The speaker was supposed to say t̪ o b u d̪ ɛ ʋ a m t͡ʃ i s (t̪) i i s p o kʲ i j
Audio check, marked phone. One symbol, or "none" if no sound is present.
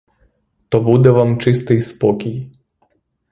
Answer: t̪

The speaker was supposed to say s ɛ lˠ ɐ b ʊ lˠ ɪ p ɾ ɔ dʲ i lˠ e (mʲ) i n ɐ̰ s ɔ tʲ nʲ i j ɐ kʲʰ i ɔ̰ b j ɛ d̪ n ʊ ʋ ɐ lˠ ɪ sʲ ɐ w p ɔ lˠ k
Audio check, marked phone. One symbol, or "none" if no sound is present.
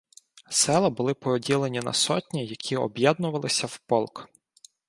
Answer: nʲ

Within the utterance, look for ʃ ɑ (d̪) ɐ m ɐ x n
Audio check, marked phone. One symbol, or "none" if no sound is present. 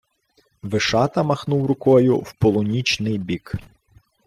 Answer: t̪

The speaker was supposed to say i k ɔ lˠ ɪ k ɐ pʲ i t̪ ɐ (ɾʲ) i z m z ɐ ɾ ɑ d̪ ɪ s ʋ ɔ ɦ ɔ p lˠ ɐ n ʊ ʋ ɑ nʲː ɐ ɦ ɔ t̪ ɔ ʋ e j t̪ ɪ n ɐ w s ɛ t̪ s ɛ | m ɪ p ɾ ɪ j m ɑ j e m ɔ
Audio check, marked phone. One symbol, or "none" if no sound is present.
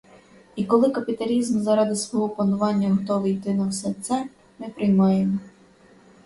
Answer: lʲ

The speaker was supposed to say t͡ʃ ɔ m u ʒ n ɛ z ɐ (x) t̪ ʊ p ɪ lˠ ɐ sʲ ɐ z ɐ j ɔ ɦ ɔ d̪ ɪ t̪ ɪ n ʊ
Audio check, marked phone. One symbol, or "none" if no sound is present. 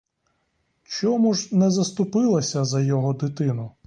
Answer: s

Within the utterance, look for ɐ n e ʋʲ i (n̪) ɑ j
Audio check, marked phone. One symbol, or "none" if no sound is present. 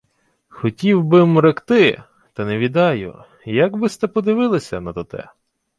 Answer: d̪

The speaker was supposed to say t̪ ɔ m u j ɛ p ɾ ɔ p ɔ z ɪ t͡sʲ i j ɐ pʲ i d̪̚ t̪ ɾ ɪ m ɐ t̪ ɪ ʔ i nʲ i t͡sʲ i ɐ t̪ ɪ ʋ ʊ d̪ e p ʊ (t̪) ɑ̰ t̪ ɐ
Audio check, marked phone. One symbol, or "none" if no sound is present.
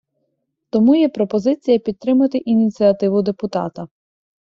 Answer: t̪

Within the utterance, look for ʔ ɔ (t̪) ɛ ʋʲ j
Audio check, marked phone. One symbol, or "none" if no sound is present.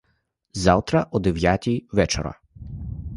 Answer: d̪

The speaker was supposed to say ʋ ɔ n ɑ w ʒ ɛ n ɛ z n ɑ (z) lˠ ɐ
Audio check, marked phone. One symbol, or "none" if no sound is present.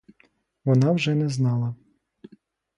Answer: none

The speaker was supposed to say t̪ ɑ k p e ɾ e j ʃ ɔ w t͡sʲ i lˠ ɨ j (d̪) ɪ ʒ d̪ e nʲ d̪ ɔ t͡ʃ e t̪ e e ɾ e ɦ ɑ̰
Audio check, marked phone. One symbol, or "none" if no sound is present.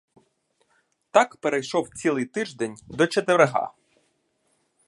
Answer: t̪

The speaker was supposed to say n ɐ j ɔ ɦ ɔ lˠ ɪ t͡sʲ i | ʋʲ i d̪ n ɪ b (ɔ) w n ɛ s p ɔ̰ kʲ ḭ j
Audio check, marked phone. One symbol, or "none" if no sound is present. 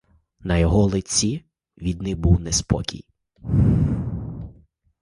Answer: u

